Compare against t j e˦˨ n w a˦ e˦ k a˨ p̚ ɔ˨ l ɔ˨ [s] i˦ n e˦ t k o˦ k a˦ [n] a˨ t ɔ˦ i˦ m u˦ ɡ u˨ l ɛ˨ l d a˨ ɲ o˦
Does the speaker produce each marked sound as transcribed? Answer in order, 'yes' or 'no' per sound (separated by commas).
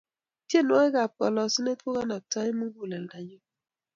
yes, yes